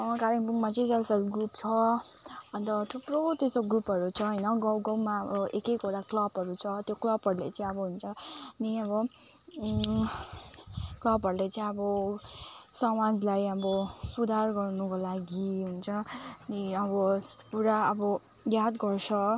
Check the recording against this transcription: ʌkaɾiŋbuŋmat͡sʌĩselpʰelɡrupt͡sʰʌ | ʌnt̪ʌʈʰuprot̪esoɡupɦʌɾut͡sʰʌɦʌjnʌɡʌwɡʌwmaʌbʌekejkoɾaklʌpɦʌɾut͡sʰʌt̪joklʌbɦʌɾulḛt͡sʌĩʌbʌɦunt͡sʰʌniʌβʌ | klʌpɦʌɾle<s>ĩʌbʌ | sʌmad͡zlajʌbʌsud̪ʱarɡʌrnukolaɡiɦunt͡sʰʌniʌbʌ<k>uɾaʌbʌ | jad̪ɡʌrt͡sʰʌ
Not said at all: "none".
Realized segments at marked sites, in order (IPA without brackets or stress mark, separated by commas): t͡s, p